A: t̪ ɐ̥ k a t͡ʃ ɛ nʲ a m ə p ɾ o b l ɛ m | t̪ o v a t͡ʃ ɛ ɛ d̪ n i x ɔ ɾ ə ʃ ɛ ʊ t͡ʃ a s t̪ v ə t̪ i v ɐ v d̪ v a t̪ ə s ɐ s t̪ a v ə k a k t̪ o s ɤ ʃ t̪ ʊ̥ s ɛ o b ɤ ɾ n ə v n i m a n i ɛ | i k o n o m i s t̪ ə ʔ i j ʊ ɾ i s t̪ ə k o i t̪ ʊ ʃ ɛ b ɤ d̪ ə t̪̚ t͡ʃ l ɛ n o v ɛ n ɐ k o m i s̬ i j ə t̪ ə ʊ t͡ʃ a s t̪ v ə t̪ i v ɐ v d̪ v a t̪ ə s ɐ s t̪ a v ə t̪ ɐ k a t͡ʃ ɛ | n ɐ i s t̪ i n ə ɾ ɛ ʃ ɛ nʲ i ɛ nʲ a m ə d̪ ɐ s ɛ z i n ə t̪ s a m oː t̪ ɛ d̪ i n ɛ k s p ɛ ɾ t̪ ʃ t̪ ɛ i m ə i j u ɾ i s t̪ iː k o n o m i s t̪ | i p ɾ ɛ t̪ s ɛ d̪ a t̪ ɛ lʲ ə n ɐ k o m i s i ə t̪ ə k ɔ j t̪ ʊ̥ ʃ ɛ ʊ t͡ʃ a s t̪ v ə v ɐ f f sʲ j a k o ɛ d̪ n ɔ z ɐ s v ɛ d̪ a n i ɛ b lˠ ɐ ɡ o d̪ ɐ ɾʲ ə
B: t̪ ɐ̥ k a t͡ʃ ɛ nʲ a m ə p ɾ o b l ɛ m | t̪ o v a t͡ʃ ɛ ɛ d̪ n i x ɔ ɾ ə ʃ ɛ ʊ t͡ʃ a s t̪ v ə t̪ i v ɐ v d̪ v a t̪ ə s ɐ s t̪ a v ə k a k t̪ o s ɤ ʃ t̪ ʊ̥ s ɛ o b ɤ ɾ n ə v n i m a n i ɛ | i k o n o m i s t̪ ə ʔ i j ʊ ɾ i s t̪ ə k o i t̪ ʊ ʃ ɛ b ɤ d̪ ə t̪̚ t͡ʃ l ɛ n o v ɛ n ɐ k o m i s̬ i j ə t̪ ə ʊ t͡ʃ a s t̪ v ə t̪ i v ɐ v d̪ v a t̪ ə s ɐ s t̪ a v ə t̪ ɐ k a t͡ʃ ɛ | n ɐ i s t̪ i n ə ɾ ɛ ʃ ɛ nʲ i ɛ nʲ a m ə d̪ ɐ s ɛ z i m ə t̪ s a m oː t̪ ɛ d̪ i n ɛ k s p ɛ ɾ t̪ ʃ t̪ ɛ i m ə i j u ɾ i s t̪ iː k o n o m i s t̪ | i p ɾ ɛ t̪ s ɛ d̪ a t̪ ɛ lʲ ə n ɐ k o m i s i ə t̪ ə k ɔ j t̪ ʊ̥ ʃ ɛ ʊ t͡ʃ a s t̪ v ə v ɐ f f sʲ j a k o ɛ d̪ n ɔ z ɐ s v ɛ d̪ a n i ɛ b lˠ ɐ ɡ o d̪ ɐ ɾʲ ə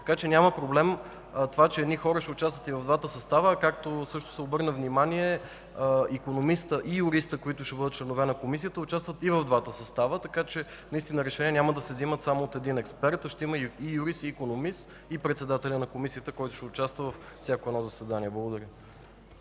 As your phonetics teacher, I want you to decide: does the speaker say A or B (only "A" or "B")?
B